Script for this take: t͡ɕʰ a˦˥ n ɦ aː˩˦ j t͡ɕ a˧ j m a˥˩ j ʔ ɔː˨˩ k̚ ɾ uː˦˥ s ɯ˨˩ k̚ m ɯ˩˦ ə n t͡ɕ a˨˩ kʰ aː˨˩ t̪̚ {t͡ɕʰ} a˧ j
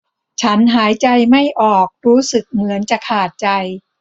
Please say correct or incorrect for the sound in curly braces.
incorrect